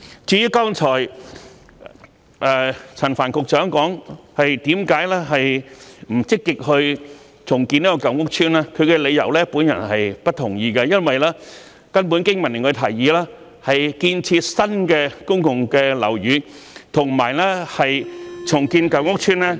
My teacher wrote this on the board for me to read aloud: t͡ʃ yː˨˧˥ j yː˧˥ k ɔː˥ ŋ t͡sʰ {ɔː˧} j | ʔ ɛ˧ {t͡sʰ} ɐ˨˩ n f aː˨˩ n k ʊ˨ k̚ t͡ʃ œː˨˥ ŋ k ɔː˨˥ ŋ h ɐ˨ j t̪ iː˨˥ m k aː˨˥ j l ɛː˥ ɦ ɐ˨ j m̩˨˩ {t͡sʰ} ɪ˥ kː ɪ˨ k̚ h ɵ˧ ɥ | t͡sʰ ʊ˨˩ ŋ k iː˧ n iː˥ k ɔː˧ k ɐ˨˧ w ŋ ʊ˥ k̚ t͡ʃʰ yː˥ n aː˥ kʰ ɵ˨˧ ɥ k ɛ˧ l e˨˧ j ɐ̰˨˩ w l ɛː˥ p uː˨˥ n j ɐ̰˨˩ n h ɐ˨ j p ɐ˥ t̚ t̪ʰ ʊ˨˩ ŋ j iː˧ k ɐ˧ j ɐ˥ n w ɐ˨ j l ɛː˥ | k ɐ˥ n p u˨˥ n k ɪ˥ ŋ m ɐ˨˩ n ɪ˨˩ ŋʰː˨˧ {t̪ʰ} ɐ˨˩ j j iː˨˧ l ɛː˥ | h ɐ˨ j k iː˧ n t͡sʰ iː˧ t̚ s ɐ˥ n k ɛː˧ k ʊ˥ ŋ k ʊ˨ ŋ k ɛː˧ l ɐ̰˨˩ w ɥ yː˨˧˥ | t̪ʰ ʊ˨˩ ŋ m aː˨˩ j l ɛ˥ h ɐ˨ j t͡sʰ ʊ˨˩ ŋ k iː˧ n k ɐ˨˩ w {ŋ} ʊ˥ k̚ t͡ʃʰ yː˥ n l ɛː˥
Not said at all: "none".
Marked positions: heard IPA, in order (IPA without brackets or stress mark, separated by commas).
ɔː˨˩, t͡sʰ, t͡s, t̪ʰ, ŋ